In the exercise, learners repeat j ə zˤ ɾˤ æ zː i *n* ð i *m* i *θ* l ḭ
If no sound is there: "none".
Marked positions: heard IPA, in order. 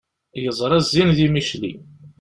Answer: n, m, ʃ

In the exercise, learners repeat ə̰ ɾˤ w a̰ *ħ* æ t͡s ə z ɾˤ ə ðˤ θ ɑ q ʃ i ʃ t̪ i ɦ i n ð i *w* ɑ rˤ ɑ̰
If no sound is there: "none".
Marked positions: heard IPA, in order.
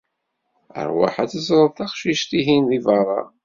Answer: ħ, v

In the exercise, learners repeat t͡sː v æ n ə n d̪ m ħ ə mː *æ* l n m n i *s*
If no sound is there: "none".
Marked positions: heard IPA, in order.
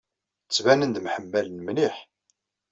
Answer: æ, ħ

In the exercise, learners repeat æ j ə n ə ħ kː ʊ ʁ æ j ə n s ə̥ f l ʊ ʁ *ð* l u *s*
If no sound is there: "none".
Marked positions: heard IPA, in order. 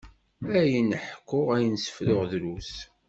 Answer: ð, s

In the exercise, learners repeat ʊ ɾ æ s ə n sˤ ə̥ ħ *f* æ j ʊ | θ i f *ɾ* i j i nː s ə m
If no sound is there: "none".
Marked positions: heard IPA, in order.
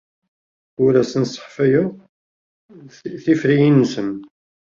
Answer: f, ɾ

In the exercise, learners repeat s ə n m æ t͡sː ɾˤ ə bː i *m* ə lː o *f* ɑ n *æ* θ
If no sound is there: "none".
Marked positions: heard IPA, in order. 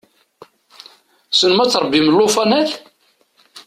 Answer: m, f, æ

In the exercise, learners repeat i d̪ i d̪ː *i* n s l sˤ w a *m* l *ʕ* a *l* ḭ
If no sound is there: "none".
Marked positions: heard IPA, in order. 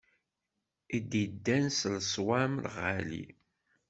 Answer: æ, m, ʁ, l

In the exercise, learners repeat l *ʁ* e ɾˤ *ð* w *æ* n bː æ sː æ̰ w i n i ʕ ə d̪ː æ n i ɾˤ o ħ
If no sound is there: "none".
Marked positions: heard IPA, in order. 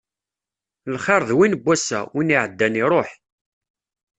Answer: χ, ð, i

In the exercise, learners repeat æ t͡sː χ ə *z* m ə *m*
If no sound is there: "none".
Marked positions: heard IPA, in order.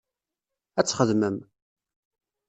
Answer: ð, m

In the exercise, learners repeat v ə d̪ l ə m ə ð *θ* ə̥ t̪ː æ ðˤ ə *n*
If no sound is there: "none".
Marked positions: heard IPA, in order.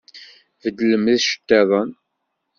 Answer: ʃ, n

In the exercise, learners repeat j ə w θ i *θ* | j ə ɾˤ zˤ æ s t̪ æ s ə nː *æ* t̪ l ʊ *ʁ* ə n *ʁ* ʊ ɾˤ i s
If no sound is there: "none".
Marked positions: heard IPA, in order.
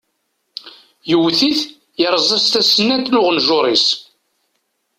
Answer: θ, æ, ʁ, ʒ

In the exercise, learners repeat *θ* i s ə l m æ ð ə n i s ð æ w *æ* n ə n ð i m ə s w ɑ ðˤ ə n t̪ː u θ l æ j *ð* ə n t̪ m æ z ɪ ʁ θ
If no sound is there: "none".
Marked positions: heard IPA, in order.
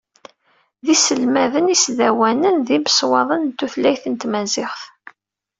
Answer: ð, æ, θ

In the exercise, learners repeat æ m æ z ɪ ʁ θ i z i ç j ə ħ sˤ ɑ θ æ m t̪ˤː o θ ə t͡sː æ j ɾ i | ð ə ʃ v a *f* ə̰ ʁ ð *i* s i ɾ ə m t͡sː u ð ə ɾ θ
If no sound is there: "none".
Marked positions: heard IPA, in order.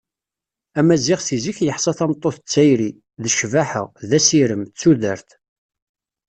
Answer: ħ, æ

